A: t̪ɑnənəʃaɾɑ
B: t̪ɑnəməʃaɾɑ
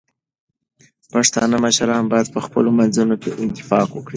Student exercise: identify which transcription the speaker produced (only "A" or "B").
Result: B